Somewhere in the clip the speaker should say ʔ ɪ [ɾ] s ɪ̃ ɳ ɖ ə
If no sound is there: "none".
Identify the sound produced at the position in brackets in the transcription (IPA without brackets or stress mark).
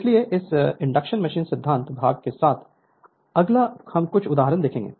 none